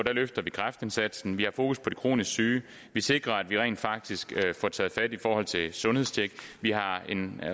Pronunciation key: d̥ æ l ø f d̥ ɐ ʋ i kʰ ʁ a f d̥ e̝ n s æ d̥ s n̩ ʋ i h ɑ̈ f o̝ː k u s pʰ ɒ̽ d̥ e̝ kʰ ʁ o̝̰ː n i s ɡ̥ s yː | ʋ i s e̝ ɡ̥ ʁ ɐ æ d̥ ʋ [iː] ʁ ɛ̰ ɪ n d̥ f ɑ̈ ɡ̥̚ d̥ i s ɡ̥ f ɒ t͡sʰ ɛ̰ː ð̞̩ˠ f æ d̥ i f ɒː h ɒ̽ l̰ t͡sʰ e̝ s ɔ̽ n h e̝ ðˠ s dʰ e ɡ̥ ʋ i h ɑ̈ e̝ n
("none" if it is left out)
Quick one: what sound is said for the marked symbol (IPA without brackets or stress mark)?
i